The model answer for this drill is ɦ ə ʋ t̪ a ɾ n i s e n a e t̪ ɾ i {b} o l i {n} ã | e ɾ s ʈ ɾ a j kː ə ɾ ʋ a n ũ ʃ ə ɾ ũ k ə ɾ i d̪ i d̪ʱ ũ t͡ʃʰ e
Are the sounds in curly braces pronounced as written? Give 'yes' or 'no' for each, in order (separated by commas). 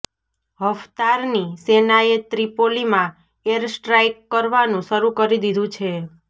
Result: no, no